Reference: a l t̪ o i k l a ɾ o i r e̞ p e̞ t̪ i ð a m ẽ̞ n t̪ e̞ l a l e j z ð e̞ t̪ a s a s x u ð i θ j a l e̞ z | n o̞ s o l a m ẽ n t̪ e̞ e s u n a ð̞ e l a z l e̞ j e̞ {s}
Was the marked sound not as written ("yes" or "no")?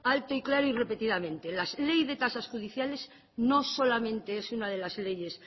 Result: no